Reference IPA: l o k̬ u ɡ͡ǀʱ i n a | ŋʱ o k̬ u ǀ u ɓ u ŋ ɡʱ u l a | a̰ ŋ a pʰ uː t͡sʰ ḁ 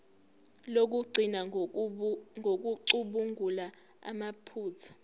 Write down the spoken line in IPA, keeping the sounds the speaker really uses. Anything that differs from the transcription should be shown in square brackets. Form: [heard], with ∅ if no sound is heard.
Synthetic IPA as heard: l o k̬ u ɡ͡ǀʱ i n a | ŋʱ o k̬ u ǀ u ɓ u ŋ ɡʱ u l a | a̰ [m] a pʰ uː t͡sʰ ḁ